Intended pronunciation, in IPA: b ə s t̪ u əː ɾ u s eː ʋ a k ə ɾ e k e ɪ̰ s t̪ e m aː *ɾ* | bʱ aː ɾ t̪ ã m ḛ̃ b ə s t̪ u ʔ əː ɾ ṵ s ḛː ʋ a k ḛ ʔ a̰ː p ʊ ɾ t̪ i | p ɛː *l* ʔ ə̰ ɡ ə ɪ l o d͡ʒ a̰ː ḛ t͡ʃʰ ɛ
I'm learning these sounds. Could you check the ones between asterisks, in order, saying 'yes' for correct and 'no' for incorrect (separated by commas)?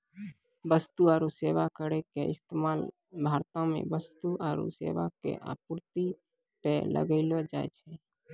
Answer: no, yes